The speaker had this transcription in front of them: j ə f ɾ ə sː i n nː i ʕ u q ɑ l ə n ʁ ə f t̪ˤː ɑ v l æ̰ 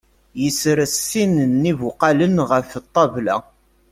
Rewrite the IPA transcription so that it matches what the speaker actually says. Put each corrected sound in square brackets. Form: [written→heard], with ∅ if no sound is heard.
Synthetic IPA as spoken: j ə [f→s] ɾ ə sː i n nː i [ʕ→v] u q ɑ l ə n ʁ ə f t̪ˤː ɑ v l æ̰